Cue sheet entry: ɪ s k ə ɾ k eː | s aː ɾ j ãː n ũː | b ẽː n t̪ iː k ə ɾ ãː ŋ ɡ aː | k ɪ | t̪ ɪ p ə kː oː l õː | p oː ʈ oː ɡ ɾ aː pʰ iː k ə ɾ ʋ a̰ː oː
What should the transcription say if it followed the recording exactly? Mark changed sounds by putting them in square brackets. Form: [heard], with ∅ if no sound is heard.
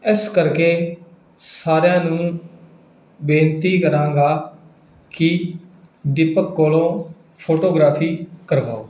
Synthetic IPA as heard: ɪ s k ə ɾ k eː | s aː ɾ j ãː n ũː | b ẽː n t̪ iː k ə ɾ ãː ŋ ɡ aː | k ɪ | [d̪] ɪ p ə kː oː l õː | [pʰ] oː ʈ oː ɡ ɾ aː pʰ iː k ə ɾ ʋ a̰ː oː